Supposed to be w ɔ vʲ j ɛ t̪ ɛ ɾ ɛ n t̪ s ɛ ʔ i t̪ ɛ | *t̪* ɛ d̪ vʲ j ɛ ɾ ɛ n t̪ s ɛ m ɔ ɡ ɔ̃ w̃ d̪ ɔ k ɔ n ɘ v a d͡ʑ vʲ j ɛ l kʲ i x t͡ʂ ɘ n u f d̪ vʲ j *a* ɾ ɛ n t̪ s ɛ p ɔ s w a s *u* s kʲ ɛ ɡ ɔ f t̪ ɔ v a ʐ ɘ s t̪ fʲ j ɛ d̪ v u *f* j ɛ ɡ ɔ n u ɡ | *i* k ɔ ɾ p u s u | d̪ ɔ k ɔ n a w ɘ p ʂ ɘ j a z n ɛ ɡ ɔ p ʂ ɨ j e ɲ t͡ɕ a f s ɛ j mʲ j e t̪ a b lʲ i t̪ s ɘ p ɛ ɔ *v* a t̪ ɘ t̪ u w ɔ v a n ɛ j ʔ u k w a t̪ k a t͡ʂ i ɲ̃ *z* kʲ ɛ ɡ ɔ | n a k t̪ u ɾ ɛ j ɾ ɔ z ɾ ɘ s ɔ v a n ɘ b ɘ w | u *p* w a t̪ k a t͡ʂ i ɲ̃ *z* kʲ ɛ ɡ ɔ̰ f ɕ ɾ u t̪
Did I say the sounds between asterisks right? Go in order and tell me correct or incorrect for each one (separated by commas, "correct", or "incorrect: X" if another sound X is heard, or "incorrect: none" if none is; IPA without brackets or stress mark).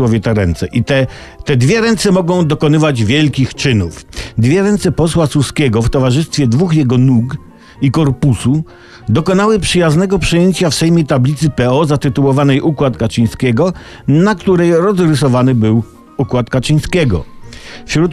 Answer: correct, incorrect: ɛ, correct, incorrect: x, correct, incorrect: z, incorrect: s, incorrect: k, incorrect: s